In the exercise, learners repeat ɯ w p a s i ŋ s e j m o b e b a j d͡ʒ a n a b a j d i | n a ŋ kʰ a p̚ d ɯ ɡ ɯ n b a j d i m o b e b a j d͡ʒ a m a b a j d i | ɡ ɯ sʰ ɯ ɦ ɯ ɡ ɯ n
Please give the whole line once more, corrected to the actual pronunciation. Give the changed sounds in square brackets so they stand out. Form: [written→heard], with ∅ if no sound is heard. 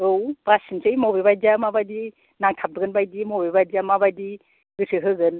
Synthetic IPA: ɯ w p a s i [ŋ→n] s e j m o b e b a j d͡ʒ a [n→m] a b a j d i | n a ŋ [kʰ→tʰ] a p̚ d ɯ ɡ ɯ n b a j d i m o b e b a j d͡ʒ a m a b a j d i | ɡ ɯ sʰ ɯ ɦ ɯ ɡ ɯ n

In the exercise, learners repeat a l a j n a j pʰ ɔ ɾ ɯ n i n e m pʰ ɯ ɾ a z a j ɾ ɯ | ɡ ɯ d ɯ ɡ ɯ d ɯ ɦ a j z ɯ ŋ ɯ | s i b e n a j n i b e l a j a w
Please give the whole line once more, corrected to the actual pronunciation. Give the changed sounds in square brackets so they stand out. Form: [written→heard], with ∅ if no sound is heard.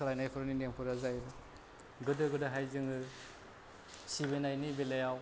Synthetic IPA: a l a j n a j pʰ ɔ ɾ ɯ n i n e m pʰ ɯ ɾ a z a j ɾ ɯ | ɡ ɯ d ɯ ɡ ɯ d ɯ ɦ a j z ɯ ŋ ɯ | s i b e n a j n i b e l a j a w

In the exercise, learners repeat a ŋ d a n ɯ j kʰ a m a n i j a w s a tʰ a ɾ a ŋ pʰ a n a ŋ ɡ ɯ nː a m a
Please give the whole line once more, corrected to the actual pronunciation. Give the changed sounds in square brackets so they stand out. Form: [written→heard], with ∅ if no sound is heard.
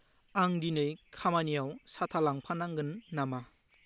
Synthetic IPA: a ŋ d [a→i] n ɯ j kʰ a m a n i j a w s a tʰ a [ɾ→l] a ŋ pʰ a n a ŋ ɡ ɯ nː a m a

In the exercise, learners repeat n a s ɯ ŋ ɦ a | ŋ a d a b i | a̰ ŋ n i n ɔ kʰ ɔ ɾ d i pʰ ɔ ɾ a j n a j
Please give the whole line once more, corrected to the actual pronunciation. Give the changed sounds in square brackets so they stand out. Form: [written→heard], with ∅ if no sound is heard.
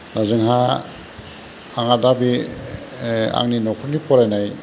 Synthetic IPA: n a [s→z] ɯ ŋ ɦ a | ŋ a d a b i | a̰ ŋ n i n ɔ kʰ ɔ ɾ [d→n] i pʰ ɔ ɾ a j n a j

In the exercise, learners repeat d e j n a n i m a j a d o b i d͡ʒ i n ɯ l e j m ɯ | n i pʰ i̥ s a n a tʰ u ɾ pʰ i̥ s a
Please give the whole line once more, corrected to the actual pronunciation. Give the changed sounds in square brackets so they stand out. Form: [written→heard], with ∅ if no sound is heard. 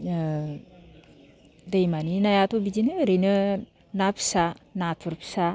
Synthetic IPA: d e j [n→m] a n i [m→n] a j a [d→t] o b i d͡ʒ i n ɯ [l→ɾ] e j [m→n] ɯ | n [i→a] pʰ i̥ s a n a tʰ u ɾ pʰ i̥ s a

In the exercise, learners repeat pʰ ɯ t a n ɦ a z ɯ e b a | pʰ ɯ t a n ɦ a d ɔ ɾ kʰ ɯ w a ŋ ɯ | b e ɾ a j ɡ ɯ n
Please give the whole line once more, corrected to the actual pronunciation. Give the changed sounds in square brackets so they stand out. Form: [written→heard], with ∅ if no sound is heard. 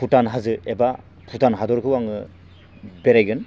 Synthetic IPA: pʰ [ɯ→u] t a n ɦ a z ɯ e b a | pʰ [ɯ→u] t a n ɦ a d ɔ ɾ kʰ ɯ w a ŋ ɯ | b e ɾ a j ɡ ɯ n

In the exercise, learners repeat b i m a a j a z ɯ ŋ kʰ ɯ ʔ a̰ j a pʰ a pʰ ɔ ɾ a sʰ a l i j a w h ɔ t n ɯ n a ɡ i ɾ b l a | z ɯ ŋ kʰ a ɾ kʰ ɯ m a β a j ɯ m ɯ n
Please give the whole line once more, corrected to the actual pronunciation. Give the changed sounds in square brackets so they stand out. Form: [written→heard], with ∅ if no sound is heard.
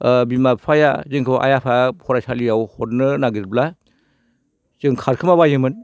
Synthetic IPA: b i m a a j a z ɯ ŋ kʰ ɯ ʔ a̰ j a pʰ a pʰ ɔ ɾ a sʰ a l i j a w h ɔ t n ɯ n a ɡ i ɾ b l a | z ɯ ŋ kʰ a ɾ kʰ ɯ m a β a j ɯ m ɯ n

